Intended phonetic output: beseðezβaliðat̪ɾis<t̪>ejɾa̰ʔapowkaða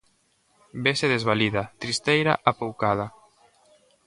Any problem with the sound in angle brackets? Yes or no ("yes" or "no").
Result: no